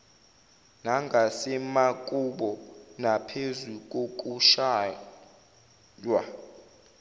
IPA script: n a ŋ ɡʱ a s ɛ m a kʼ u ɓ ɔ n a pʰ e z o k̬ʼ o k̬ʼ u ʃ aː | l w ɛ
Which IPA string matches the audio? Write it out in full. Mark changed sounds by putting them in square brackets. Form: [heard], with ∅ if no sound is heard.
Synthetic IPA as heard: n a ŋ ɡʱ a s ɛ m a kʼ u ɓ ɔ n a pʰ e z [u] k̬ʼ o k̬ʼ u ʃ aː | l w [a]

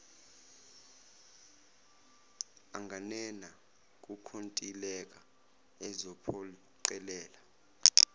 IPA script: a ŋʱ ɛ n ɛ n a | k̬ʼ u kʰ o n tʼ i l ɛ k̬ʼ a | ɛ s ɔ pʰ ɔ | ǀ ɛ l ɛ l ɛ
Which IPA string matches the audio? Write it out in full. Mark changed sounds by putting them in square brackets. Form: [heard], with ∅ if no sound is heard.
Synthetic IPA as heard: a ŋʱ [a] n ɛ n a | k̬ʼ u kʰ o n tʼ i l ɛ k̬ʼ a | ɛ [z] ɔ pʰ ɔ | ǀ ɛ l [ɛː] l [a]

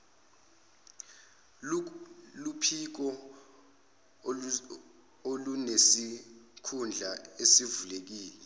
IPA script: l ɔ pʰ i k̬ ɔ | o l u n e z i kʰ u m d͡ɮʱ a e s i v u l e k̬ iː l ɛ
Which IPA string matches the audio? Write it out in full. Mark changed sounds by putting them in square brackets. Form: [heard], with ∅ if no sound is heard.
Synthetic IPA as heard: l [u] pʰ i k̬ ɔ | o l u n e [s] i kʰ u [n] d͡ɮʱ a e s i v u l e k̬ iː l ɛ

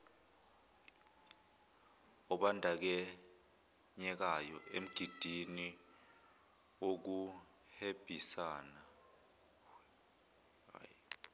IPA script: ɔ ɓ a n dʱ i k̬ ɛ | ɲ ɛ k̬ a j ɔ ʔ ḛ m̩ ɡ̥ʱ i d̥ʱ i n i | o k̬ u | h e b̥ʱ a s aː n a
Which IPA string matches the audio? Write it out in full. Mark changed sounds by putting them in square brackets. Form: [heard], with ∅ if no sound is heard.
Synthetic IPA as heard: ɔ ɓ a n dʱ [a] k̬ ɛ | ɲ ɛ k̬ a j ɔ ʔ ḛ m̩ ɡ̥ʱ i d̥ʱ i n i | o k̬ u | h e b̥ʱ [i] s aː n a

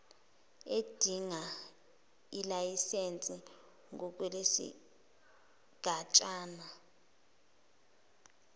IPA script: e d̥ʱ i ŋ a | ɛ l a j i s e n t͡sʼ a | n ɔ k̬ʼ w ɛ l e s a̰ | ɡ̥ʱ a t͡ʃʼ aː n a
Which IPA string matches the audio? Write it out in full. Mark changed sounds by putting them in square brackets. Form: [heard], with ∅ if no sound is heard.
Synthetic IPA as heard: e d̥ʱ i ŋ a | [i] l a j i s e n t͡sʼ [i] | [ŋ] ɔ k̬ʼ w ɛ l e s [ḭ] | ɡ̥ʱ a t͡ʃʼ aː n a

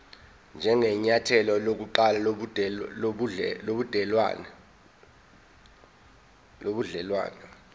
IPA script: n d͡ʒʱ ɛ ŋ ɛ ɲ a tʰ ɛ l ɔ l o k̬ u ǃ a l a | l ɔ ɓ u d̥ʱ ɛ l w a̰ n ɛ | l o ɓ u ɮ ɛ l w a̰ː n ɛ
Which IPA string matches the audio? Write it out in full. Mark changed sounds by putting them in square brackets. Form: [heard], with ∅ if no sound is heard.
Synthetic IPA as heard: n d͡ʒʱ ɛ ŋ ɛ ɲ a tʰ ɛ l ɔ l o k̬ u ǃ a l a | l [o] ɓ u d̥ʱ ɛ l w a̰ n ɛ | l o ɓ u ɮ ɛ l w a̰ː n ɛ

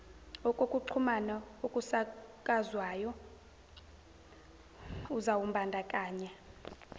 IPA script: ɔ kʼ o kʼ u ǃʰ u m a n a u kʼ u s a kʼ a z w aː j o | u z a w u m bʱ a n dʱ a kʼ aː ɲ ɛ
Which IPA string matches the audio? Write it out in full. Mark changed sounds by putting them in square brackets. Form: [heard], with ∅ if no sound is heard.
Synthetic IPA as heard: ɔ kʼ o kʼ u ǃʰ u m a n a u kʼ u s a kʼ a z w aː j [ɔ] | u z a w u m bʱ a n dʱ a kʼ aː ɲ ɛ

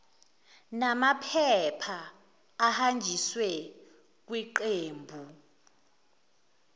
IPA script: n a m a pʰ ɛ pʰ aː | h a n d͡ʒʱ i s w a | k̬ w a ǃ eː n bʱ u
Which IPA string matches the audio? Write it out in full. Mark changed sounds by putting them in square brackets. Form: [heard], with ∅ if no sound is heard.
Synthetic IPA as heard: n a m a pʰ ɛ pʰ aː | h a n d͡ʒʱ i s w [ɛ] | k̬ w [i] ǃ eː [m] bʱ u

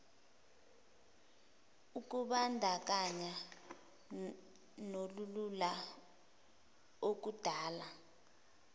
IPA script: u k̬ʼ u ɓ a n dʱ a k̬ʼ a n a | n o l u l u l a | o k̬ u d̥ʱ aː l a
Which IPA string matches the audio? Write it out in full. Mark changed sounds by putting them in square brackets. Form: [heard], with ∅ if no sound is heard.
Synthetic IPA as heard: u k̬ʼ u ɓ a n dʱ a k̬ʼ a [ɲ] a | n o l u l u l a | o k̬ u d̥ʱ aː l a

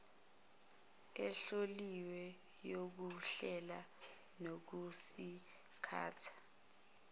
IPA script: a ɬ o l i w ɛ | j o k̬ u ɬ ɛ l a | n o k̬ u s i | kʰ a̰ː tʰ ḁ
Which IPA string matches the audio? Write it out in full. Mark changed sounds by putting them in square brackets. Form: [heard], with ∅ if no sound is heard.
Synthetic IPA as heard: [ɛ] ɬ o l i w ɛ | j o k̬ u ɬ ɛ l a | n o k̬ u s i | kʰ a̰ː tʰ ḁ

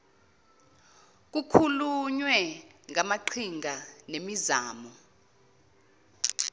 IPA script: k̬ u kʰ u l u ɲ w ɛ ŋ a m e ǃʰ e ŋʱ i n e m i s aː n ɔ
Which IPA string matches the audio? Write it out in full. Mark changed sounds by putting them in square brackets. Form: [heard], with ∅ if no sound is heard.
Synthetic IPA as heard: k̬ u kʰ u l u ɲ w ɛ ŋ a m [a] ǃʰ [i] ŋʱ [a] n e m i [z] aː [m] ɔ

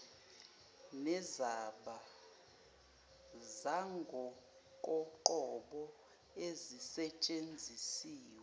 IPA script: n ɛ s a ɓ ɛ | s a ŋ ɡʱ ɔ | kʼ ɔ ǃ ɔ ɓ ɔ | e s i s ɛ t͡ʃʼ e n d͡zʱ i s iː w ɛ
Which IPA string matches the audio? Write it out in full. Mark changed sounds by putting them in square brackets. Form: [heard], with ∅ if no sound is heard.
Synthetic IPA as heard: n ɛ [z] a ɓ [a] | [z] a ŋ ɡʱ ɔ | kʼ ɔ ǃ ɔ ɓ ɔ | e [z] i s ɛ t͡ʃʼ e n d͡zʱ i s iː w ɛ

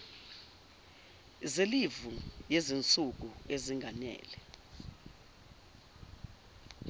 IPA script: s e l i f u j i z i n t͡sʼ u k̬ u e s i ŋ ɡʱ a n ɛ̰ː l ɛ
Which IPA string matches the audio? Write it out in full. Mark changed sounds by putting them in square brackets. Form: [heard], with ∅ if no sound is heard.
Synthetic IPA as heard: [z] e l i [v] u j [e] z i n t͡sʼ u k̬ u e [z] i ŋ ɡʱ a n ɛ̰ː l ɛ

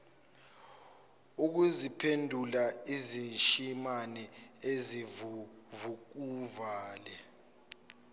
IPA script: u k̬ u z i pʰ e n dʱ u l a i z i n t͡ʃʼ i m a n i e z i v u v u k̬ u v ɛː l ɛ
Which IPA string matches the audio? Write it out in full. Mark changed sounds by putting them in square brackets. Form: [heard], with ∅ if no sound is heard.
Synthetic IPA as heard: u k̬ u z i pʰ e n dʱ u l a i z i n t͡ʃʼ i m a n [ɛ] e z i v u v u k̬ u v [aː] l ɛ

